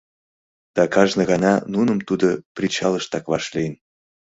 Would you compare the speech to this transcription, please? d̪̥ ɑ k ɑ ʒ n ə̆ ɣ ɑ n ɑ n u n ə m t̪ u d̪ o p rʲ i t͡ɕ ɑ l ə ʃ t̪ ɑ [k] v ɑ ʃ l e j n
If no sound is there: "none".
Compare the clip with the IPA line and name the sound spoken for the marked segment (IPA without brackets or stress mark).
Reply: k